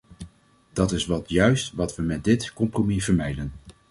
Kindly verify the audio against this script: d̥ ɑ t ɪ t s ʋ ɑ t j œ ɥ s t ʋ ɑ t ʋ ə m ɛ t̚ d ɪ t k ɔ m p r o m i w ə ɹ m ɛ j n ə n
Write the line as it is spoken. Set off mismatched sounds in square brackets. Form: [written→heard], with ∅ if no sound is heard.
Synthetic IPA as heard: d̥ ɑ t ɪ [t→∅] s ʋ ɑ t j œ ɥ s t ʋ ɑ t ʋ ə m ɛ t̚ d ɪ t k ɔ m p r o m i [w→v] ə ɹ m ɛ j [n→d] ə n